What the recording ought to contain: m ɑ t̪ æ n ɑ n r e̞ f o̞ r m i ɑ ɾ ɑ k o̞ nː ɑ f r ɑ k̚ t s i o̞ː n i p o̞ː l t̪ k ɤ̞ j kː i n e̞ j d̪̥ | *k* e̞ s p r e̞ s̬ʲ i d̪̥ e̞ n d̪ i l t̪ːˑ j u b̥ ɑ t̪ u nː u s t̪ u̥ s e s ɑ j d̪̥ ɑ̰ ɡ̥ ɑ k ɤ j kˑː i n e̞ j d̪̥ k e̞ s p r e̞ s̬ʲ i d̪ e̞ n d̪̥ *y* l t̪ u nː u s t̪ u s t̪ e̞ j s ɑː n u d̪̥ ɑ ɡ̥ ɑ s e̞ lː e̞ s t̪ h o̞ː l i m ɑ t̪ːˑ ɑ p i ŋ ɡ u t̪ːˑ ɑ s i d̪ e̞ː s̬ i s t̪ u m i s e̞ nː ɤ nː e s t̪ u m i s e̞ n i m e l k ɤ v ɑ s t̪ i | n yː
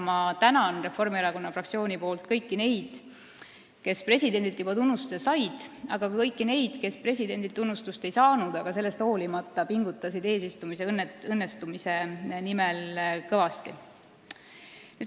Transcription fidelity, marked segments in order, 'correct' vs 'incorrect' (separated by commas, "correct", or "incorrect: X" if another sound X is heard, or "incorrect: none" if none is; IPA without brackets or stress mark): correct, incorrect: i